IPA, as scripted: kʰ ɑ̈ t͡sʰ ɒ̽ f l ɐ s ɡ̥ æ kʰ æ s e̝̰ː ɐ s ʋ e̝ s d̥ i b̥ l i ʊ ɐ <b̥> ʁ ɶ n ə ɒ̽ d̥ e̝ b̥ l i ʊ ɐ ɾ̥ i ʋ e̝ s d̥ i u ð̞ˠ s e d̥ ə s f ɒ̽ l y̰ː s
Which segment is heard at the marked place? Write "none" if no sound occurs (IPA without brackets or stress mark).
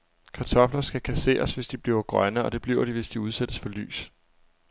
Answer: ɡ̥